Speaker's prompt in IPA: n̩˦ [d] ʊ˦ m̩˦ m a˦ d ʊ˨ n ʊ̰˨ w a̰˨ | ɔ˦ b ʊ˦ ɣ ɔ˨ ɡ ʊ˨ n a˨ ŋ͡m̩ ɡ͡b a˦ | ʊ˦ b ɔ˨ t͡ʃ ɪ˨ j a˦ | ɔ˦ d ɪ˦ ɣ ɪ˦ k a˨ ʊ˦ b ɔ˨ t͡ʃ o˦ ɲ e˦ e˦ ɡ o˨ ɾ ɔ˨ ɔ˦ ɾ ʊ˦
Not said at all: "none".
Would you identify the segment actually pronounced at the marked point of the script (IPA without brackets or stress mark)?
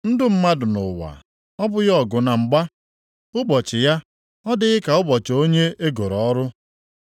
d